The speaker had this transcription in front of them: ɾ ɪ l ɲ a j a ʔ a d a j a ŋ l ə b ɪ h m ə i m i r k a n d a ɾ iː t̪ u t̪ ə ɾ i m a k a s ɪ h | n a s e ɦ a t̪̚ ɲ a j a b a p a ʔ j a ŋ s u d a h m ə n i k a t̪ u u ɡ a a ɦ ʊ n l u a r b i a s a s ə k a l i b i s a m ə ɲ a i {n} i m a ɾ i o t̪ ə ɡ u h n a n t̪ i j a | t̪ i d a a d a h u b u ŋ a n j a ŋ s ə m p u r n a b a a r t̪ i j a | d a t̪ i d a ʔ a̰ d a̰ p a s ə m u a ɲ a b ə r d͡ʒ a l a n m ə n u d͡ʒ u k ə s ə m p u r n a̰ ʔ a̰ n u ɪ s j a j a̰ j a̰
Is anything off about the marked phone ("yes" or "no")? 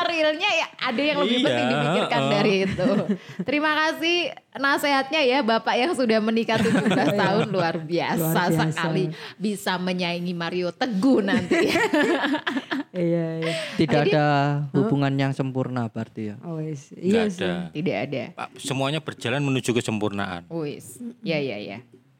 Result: yes